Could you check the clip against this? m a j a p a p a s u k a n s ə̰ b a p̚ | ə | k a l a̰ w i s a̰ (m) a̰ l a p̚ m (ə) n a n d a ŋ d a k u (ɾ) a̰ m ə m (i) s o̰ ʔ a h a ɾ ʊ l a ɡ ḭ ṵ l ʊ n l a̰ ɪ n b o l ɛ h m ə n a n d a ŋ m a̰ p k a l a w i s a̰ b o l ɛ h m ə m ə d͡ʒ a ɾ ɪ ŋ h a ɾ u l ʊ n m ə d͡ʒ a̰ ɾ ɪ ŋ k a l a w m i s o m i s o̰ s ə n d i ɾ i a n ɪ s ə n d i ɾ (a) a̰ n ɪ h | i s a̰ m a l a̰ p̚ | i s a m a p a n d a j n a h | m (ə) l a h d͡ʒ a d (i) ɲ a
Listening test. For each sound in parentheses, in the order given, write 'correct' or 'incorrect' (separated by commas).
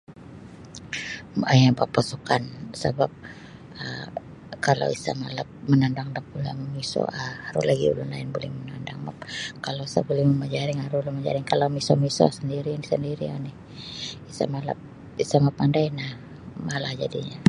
correct, correct, incorrect, correct, incorrect, incorrect, correct